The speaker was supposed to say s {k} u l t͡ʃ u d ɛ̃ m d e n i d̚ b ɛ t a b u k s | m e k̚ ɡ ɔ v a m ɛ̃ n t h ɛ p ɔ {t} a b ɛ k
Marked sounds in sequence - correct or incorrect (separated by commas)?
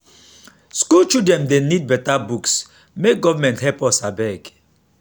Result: correct, incorrect